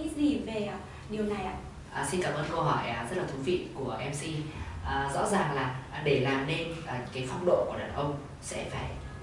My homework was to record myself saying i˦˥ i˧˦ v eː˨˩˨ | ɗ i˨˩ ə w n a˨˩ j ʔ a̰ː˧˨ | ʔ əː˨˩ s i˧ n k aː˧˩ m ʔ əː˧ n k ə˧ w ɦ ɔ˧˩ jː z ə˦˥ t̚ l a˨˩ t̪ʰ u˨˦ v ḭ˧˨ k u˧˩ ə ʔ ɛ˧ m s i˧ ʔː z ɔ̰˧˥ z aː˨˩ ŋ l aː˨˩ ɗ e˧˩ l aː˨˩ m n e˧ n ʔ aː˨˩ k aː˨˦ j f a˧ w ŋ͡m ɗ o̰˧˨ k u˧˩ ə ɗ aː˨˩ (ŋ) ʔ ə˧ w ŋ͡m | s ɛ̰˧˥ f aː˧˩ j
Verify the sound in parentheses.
incorrect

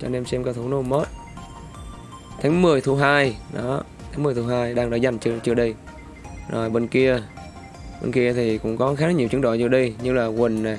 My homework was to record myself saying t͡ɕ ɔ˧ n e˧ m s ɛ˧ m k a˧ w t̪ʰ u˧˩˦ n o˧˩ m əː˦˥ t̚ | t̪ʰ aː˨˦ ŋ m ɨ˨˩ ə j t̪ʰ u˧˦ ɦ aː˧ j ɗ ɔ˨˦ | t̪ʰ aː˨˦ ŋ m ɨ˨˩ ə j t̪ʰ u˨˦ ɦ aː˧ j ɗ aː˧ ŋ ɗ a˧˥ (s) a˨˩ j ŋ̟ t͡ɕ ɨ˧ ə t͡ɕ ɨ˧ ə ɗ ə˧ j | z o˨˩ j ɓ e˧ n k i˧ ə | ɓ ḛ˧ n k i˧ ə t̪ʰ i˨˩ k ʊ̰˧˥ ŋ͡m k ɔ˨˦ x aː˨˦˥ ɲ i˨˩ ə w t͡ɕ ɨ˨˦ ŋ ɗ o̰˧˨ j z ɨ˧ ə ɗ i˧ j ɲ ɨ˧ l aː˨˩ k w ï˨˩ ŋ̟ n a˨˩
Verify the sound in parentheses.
incorrect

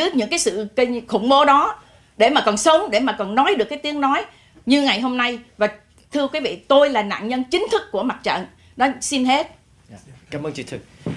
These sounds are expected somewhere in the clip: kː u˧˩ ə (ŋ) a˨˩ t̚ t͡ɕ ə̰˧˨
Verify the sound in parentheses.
incorrect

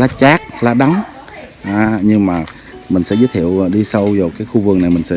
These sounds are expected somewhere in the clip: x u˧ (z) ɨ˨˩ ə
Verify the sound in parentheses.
incorrect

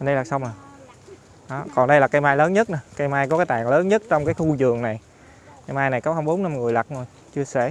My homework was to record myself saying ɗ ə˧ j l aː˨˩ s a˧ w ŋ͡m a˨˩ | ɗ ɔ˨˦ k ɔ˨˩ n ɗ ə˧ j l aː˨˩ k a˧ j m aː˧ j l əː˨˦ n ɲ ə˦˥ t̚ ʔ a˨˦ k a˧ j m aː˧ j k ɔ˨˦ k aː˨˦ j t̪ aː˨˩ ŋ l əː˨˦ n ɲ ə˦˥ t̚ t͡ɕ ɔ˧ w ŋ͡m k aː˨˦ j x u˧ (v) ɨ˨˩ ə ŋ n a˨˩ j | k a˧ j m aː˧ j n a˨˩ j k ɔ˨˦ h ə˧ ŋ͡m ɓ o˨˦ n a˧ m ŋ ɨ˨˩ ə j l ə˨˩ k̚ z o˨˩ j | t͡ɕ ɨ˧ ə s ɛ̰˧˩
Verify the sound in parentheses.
incorrect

